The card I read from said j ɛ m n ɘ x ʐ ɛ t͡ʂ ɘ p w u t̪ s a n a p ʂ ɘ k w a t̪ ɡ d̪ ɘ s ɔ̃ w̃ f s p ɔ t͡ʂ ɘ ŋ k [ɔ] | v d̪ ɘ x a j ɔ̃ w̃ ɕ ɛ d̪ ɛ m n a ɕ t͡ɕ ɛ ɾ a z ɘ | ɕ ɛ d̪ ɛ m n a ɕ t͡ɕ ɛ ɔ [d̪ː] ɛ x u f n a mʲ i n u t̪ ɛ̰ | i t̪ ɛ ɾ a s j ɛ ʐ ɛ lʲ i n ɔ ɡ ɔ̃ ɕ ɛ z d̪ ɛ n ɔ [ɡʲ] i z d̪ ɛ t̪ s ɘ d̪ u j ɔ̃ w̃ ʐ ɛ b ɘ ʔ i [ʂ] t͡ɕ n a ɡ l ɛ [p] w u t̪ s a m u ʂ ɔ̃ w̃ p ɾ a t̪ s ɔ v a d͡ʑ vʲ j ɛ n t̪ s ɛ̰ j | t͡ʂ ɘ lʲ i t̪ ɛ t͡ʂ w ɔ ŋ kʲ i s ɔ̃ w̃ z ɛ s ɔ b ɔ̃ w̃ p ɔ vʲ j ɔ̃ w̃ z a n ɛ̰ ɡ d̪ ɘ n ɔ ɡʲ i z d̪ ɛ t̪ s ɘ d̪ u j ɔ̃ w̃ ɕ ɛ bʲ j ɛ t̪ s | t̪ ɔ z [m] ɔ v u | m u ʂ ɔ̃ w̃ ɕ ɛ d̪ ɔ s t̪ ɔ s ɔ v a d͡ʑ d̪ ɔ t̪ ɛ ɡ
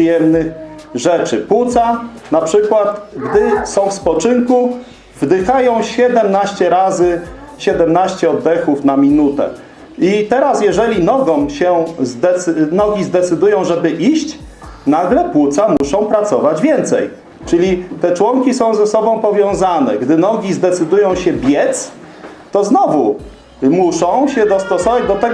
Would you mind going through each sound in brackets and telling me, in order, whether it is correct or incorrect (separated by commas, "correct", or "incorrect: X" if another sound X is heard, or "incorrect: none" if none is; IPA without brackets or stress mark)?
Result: incorrect: u, correct, correct, incorrect: ɕ, correct, incorrect: n